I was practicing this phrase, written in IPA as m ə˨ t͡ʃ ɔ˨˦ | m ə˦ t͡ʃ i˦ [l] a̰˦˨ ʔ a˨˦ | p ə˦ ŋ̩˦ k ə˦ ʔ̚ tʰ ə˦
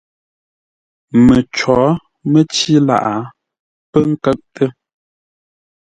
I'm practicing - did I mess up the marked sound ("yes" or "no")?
no